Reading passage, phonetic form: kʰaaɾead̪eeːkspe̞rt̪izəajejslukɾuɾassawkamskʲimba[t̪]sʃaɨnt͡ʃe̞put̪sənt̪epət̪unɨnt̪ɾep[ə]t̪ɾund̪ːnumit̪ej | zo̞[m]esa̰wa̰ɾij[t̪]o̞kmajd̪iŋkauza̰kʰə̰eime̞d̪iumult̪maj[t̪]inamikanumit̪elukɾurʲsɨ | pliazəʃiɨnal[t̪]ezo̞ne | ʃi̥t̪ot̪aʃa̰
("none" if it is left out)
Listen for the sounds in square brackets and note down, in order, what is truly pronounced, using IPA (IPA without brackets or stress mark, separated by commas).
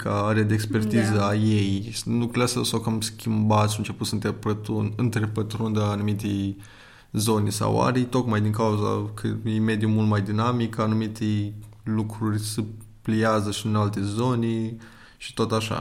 t̪, ə, n, t̪, d̪, t̪